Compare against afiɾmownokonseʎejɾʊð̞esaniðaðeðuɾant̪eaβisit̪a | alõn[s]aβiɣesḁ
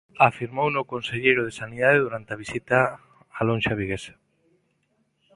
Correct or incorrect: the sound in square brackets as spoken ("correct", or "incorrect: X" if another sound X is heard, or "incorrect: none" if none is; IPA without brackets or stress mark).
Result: incorrect: ʃ